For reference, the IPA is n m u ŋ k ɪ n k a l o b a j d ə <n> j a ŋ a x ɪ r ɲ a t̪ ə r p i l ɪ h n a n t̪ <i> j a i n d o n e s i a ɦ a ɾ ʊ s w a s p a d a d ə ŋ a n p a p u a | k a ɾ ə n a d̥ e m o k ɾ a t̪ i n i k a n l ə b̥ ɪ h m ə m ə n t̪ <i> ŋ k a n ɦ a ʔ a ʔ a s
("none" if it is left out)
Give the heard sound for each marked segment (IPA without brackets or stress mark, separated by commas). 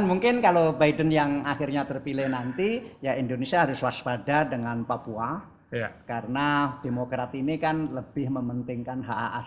n, i, ɪ